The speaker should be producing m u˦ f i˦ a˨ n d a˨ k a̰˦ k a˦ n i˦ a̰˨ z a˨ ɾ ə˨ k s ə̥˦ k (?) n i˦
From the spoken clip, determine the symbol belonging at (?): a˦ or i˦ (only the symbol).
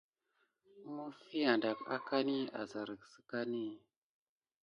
a˦